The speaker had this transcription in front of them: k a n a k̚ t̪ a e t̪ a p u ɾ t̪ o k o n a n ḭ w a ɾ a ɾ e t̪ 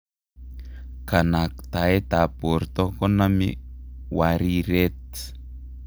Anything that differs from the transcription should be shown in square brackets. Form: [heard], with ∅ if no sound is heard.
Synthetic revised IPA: k a n a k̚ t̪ a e t̪ a p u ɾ t̪ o k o n a [m] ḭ w a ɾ [i] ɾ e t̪